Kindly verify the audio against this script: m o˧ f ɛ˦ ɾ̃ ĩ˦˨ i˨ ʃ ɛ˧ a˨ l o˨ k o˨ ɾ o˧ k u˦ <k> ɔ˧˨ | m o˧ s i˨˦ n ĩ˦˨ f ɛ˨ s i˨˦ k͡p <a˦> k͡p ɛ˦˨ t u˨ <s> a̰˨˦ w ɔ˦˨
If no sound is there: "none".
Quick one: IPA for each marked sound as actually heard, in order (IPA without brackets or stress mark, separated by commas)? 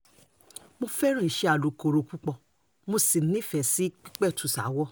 k͡p, i˦, s